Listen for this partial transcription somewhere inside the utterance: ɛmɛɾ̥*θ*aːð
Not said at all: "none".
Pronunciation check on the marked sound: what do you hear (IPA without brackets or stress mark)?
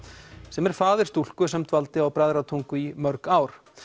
f